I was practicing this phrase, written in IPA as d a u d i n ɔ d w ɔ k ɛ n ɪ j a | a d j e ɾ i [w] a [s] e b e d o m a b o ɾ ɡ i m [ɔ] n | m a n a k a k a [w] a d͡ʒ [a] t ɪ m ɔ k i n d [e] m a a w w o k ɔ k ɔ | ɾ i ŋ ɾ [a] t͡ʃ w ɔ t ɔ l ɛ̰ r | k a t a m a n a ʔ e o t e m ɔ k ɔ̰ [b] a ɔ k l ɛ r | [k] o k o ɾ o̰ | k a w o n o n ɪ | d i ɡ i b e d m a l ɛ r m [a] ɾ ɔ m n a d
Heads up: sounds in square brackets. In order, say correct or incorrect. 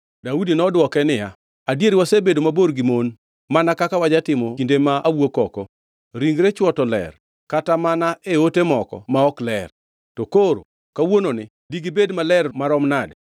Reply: correct, correct, incorrect, correct, correct, correct, incorrect, incorrect, incorrect, correct

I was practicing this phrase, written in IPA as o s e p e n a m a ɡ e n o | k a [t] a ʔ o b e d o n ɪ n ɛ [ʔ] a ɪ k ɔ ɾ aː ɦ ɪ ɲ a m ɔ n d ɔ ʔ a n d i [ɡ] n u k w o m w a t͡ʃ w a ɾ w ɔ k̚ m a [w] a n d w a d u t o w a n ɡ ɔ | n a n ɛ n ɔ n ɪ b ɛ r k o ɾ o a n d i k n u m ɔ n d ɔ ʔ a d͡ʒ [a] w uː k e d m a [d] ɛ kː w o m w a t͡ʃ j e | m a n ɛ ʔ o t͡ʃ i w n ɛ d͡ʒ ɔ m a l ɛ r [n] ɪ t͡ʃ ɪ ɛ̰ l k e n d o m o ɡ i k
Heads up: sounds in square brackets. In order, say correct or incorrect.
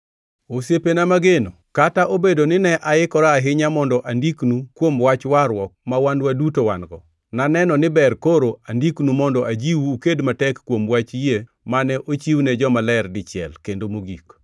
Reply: correct, correct, incorrect, correct, incorrect, incorrect, incorrect

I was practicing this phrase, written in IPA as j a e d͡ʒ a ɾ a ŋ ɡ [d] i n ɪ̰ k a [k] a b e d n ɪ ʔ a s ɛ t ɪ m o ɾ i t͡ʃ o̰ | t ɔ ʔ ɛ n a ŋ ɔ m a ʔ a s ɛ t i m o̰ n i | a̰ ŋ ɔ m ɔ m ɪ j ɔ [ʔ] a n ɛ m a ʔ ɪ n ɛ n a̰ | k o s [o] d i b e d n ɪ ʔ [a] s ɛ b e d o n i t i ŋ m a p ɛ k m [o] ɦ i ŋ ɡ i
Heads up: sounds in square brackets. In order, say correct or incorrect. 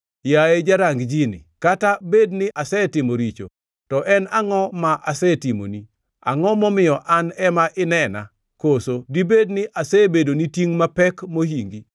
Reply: incorrect, incorrect, correct, correct, correct, correct

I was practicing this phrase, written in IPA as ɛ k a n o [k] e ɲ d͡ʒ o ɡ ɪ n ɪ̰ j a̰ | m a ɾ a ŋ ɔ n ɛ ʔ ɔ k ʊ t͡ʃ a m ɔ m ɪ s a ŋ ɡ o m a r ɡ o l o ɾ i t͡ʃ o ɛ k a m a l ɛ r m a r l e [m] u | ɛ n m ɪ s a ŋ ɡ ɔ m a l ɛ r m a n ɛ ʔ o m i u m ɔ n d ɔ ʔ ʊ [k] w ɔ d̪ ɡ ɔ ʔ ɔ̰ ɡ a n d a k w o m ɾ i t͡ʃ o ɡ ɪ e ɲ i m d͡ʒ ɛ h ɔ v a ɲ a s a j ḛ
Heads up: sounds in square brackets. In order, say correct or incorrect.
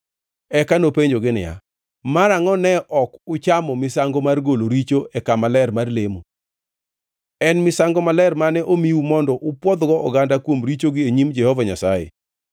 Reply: incorrect, correct, incorrect

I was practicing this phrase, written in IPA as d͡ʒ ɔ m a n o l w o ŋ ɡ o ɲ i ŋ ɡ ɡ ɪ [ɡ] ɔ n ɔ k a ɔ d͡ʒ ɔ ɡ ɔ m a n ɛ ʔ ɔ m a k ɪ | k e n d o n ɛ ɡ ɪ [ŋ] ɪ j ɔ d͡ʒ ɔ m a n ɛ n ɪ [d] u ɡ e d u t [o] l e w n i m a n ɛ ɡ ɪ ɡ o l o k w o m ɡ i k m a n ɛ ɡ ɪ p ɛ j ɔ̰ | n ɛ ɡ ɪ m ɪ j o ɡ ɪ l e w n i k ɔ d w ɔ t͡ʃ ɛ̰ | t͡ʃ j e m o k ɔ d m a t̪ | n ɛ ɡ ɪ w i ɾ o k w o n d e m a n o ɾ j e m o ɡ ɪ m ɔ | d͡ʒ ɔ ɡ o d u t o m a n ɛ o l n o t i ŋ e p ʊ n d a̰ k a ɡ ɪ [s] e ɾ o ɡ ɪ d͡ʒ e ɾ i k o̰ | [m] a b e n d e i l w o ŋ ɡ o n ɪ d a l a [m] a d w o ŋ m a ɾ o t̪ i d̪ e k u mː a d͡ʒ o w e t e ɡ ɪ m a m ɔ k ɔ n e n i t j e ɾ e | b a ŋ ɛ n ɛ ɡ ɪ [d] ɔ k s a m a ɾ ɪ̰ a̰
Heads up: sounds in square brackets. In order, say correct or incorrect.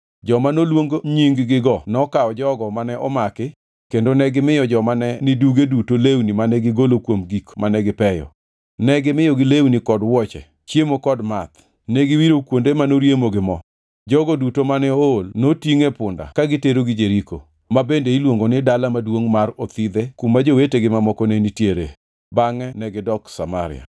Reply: correct, incorrect, correct, correct, incorrect, correct, correct, correct

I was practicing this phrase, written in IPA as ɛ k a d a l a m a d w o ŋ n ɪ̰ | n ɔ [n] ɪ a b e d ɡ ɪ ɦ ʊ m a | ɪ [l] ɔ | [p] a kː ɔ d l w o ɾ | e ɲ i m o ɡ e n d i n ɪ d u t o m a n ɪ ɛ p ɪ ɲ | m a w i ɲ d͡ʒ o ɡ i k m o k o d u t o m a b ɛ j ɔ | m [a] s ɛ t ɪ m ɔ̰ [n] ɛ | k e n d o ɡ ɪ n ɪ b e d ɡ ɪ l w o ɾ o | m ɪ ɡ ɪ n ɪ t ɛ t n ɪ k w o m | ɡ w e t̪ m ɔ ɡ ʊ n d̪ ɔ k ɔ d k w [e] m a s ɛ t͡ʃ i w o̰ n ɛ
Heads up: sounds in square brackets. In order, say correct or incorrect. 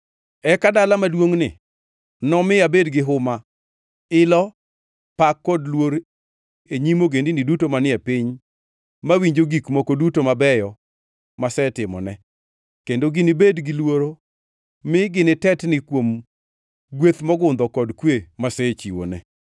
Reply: incorrect, correct, correct, correct, correct, correct

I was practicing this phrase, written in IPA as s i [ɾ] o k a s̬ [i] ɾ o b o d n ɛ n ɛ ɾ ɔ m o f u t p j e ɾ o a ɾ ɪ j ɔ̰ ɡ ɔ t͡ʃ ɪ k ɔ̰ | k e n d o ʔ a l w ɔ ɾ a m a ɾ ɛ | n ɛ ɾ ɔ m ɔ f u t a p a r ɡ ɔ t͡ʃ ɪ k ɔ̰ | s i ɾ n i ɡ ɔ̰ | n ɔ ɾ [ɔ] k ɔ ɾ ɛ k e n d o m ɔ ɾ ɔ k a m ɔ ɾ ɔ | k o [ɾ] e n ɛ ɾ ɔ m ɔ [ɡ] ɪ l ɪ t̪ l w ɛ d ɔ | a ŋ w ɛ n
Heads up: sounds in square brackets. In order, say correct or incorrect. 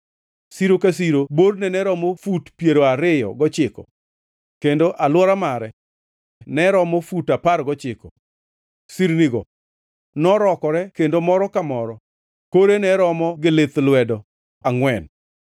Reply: correct, correct, correct, correct, correct

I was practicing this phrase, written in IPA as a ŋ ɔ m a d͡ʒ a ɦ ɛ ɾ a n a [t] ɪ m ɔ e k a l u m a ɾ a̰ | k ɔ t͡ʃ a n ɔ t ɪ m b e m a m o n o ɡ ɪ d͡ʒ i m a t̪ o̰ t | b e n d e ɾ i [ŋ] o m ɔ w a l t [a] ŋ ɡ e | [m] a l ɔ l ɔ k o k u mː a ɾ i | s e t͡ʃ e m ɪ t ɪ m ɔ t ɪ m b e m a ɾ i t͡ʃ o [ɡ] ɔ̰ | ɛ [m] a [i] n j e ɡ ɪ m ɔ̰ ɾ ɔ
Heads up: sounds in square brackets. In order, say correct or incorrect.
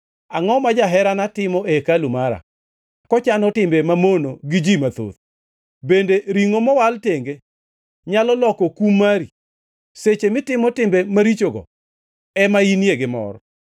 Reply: correct, correct, incorrect, incorrect, correct, correct, correct

